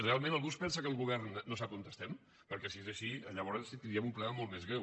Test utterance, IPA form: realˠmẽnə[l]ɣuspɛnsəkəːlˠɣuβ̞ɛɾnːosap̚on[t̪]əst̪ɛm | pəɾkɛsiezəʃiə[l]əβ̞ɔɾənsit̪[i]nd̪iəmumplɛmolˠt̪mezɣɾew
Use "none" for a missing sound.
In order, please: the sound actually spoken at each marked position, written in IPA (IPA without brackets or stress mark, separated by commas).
l, t̪, ʎ, i